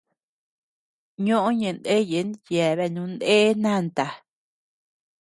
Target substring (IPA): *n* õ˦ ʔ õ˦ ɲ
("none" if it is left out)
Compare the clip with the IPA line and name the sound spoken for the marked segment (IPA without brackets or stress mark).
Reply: ɲ